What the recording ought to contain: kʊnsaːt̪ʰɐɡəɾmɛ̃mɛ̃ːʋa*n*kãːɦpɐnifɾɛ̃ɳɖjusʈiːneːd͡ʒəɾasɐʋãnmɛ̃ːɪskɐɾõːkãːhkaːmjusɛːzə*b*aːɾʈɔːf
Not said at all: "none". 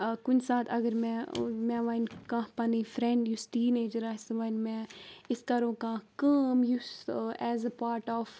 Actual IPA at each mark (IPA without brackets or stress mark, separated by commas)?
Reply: n, p